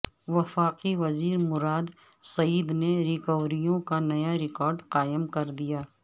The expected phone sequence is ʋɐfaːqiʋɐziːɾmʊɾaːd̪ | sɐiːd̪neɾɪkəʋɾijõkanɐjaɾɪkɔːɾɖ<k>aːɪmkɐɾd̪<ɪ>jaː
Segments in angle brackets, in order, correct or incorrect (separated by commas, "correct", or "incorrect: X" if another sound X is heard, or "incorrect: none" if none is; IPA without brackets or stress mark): incorrect: q, incorrect: i